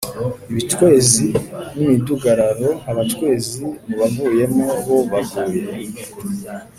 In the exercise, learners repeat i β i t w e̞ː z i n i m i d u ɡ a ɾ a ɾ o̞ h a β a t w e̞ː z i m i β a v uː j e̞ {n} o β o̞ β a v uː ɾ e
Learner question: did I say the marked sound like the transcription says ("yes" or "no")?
no